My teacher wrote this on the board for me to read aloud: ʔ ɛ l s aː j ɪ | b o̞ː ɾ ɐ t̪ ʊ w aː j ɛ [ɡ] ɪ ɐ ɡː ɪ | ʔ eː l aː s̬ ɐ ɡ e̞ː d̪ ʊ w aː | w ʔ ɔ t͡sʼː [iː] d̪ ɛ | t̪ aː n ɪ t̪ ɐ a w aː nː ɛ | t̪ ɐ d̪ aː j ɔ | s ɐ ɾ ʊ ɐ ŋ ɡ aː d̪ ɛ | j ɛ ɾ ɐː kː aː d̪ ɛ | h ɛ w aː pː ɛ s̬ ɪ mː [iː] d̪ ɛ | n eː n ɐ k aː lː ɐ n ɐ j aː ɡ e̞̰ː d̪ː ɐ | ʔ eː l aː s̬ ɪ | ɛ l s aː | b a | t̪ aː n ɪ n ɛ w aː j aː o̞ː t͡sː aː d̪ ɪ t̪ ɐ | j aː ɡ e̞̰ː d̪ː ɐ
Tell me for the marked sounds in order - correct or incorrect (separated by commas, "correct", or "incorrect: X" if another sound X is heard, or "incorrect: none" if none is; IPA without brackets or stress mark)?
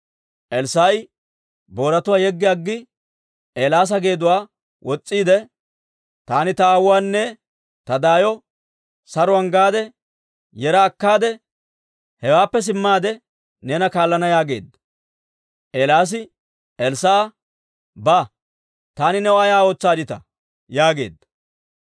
incorrect: ɡː, correct, incorrect: aː